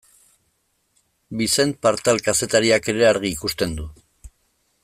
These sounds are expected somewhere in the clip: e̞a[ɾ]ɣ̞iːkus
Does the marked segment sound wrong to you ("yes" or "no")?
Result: no